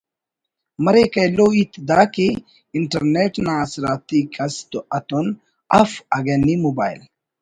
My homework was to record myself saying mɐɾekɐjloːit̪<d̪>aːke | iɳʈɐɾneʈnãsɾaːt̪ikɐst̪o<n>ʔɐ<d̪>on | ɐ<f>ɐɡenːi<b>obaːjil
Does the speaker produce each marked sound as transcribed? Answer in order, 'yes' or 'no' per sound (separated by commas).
yes, no, no, yes, no